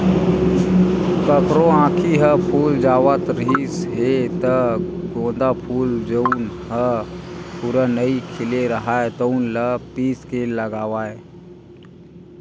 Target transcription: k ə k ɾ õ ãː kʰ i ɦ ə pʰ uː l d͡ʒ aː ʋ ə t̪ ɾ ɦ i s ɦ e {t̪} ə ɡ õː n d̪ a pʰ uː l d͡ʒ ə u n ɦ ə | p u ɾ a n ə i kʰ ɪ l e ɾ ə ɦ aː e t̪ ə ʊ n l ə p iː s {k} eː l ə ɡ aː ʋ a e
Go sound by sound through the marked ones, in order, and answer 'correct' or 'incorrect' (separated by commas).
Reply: correct, correct